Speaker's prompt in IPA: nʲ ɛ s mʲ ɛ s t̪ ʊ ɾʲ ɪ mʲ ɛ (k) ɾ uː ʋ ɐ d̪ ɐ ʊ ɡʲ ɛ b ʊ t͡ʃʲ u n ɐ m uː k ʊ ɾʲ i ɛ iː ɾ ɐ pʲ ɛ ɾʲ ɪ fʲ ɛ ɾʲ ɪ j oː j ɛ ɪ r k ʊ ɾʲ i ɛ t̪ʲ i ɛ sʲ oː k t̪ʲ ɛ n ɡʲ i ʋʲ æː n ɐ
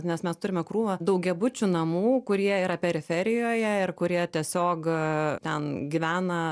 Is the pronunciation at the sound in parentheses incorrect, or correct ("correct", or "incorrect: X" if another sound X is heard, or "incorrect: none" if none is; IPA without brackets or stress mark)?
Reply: correct